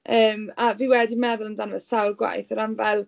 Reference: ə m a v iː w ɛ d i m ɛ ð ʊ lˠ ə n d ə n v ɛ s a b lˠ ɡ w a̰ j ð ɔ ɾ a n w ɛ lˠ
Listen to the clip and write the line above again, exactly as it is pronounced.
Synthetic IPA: əː m a v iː w ɛ d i m ɛ ð ʊ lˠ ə n d a n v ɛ s a w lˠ ɡ w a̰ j θ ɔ ɾ a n v ɛ lˠ

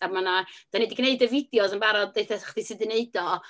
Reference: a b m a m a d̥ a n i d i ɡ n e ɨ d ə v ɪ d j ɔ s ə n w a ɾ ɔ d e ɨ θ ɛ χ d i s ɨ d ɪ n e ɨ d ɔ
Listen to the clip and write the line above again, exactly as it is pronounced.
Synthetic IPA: a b m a n a d̥ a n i d i ɡ n e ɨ d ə v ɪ d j ɔ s ə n b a ɾ ɔ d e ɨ θ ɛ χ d i s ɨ d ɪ n e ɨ d ɔ

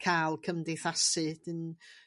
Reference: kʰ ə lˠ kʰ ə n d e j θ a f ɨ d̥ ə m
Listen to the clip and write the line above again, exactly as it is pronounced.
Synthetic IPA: kʰ a lˠ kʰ ə m d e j θ a s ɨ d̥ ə n

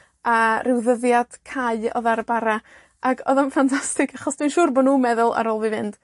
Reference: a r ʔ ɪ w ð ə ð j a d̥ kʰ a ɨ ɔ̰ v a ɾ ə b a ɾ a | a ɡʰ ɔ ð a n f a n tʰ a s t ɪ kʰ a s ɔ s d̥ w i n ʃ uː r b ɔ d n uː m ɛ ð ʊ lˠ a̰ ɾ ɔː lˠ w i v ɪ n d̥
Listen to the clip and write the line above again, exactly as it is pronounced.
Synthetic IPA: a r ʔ ɪ w ð ə ð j a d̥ kʰ a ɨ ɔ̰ ð a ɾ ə b a ɾ a | a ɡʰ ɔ ð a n f a n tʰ a s t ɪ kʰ a χ ɔ s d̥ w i n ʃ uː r b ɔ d n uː m ɛ ð ʊ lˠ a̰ ɾ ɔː lˠ v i v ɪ n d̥

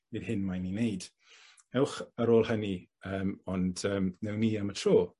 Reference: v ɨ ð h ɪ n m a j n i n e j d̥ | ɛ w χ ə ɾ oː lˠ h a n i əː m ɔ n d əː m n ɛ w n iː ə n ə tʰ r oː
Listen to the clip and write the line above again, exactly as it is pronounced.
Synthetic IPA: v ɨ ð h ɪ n m a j n i n e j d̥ | ɛ w χ ə ɾ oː lˠ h ə n i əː m ɔ n d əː m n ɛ w n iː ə m ə tʰ r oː

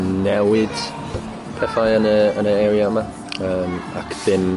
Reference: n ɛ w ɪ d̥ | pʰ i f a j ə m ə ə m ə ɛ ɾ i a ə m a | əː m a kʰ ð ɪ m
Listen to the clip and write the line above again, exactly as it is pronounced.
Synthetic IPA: n ɛ w ɪ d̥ | pʰ ɛ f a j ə n ə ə n ə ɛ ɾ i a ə m a | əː m a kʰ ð ɪ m

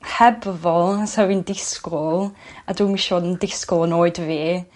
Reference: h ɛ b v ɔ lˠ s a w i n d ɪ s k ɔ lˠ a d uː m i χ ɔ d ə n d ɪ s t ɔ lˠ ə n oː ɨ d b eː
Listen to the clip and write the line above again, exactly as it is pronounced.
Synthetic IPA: h ɛ b v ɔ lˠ s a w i n d ɪ s k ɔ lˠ a d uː m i ʃ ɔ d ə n d ɪ s k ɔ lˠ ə n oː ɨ d v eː

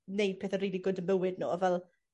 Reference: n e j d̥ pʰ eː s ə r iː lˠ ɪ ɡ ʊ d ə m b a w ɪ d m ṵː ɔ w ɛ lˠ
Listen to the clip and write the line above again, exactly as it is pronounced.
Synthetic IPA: n e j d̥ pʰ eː θ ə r iː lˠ i ɡ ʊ d ə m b ə w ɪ d n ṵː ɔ v ɛ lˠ

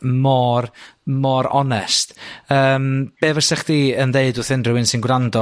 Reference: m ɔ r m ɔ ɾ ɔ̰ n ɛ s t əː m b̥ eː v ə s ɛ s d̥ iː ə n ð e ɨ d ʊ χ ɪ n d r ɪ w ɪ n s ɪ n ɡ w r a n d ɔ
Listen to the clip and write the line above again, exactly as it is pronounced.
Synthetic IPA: m ɔ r m ɔ ɾ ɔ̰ n ɛ s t əː m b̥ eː v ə s ɛ χ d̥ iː ə n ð e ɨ d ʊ θ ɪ n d r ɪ w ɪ n s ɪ n ɡ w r a n d ɔ

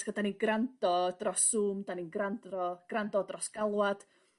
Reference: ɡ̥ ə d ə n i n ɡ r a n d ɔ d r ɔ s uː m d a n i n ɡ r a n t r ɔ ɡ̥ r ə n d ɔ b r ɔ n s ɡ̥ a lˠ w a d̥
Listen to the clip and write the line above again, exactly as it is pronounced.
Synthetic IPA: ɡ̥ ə d a n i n ɡ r a n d ɔ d r ɔ s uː m d a n i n ɡ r a n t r ɔ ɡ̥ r a n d ɔ d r ɔ s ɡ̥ a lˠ w a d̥

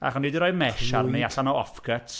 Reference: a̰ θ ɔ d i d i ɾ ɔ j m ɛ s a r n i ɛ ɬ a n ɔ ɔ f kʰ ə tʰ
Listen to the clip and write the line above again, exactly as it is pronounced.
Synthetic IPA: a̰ χ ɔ n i d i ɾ ɔ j m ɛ ʃ a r n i a ɬ a n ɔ ɔ f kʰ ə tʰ

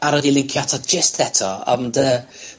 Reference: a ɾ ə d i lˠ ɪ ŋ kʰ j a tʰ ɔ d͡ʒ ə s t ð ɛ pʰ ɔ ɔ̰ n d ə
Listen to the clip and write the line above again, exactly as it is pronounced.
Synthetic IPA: a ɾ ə d i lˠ ɪ ŋ kʰ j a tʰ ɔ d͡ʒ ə s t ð ɛ tʰ ɔ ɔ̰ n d ə

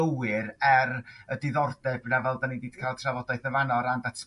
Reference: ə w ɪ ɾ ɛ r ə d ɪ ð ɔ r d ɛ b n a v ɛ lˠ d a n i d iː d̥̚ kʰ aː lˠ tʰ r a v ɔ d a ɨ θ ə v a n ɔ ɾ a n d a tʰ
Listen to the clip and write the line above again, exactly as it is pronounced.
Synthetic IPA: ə w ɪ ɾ ɛ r ə d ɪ ð ɔ r d ɛ b n a v ɛ lˠ d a n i d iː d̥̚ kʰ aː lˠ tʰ r a v ɔ d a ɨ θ ə v a n ɔ ɾ a n d a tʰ

